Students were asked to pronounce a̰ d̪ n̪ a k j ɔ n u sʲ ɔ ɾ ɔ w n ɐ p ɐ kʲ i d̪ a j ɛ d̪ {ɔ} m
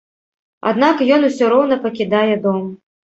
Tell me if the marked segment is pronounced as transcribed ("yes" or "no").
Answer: yes